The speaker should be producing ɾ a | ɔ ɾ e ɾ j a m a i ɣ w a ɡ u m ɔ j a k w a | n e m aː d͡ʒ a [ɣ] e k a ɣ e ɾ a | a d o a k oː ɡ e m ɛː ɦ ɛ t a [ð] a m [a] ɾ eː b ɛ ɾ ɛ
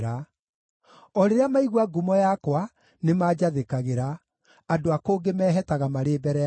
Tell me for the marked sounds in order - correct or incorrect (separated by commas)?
incorrect, incorrect, correct